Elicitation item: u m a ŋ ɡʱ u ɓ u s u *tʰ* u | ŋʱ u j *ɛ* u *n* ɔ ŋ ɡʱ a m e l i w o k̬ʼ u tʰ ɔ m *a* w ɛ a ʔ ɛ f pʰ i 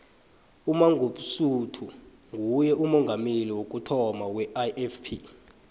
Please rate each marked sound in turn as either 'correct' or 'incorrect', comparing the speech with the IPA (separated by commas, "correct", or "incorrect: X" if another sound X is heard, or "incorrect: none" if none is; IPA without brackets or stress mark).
correct, correct, incorrect: m, correct